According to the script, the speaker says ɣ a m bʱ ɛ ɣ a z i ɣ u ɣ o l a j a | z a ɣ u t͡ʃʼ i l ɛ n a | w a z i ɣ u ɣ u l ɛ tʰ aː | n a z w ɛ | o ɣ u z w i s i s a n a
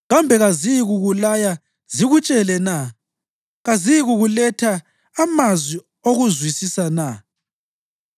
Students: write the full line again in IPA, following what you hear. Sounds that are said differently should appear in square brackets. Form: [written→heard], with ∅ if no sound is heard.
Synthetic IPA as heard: ɣ a m bʱ ɛ ɣ a z i ɣ u ɣ [o→u] l a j a | z [a→i] ɣ u t͡ʃʼ [i→ɛ] l ɛ n a | [w→ɣ] a z i ɣ u ɣ u l ɛ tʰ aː | [n→m] a z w [ɛ→i] | o ɣ u z w i s i s a n a

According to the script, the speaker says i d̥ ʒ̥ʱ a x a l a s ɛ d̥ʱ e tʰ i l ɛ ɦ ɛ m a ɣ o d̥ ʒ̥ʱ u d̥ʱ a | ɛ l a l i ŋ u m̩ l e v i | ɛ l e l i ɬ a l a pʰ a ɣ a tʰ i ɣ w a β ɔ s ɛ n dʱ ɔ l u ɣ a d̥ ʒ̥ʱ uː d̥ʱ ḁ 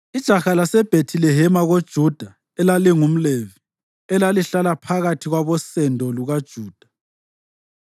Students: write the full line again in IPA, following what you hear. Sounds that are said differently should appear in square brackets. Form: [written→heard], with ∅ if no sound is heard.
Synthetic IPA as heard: i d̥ ʒ̥ʱ a x a l a s ɛ [d̥ʱ→b̥ʱ] e tʰ i l ɛ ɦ ɛ m a ɣ o d̥ ʒ̥ʱ u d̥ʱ a | ɛ l a l i ŋ u m̩ l e v i | ɛ l [e→a] l i ɬ a l a pʰ a ɣ a tʰ i ɣ w a β ɔ s ɛ n dʱ ɔ l u ɣ a d̥ ʒ̥ʱ uː d̥ʱ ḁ

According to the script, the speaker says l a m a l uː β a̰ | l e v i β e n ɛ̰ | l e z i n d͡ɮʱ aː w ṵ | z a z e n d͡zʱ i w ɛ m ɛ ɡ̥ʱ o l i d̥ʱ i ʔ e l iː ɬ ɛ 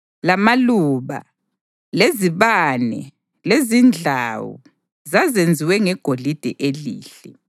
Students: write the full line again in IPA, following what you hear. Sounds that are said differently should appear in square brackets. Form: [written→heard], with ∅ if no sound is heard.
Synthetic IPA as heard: l a m a l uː β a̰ | l e [v→z] i β [e→a] n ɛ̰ | l e z i n d͡ɮʱ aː w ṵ | z a z e n d͡zʱ i w ɛ [m→ŋ] ɛ ɡ̥ʱ o l i d̥ʱ [i→ɛ] ʔ e l iː ɬ ɛ

